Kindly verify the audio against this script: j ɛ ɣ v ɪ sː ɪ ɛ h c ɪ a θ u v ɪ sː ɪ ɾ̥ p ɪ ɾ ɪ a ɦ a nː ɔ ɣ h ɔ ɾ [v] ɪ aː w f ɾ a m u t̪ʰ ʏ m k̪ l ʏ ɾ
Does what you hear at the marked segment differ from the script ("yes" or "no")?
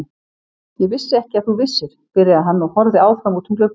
yes